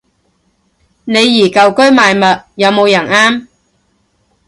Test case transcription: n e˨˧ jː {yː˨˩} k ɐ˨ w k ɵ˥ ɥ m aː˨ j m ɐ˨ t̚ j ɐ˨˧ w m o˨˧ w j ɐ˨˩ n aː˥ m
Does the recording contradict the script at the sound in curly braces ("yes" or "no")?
yes